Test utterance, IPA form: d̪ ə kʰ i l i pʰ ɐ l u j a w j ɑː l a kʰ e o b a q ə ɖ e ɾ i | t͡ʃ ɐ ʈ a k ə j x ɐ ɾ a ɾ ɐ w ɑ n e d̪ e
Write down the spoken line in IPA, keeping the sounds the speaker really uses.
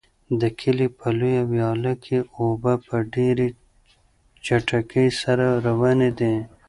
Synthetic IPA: d̪ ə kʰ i l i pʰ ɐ l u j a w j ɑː l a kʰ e o b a p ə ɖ e ɾ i | t͡ʃ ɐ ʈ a k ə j s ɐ ɾ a ɾ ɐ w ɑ n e d̪ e